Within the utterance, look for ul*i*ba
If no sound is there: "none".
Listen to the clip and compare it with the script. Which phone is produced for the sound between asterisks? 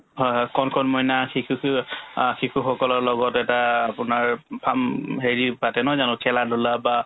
a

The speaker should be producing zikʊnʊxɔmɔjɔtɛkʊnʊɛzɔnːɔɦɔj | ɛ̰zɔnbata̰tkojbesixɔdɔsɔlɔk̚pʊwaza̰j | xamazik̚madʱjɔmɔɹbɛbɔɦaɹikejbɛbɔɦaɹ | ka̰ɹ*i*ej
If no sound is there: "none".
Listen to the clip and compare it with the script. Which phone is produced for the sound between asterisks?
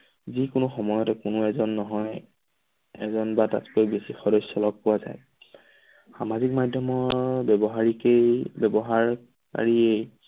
i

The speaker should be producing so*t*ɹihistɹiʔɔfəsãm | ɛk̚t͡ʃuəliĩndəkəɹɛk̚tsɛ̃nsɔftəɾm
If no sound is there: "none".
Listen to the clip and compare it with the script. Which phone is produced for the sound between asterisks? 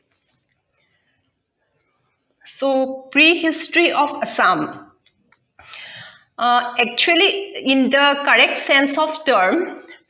p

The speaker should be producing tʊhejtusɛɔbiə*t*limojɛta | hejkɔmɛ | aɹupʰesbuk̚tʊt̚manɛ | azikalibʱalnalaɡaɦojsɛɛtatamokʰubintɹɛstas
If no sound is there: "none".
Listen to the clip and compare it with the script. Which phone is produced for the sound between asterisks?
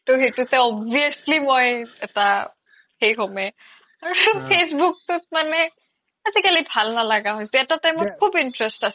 s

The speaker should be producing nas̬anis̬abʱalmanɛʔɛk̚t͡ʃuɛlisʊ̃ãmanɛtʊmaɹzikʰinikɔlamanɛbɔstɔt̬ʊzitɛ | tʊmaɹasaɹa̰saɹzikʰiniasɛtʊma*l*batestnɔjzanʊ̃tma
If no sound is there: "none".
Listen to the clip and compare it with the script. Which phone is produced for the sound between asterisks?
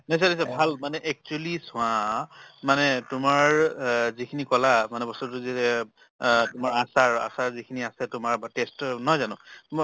ɹ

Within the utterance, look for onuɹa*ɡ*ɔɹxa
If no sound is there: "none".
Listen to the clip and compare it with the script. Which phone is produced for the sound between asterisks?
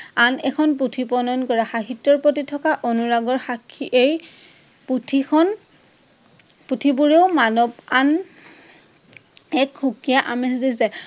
ɡ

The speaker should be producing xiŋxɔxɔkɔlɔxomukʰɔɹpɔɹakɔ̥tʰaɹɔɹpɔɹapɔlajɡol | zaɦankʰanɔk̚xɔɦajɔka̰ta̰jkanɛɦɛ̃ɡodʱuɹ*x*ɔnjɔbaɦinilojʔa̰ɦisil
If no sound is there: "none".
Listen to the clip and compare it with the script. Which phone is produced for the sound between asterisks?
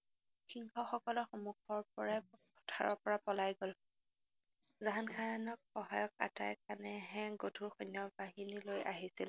x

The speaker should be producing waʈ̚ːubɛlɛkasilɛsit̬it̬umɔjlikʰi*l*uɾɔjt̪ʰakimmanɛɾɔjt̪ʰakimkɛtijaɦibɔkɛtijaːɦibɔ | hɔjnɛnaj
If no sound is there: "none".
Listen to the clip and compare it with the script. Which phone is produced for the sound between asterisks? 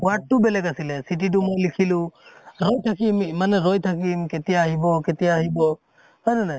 l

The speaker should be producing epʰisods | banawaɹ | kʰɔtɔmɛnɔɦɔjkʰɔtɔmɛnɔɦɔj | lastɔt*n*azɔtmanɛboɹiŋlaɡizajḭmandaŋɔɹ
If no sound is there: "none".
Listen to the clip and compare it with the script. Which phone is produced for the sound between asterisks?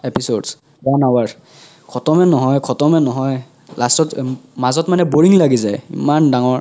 m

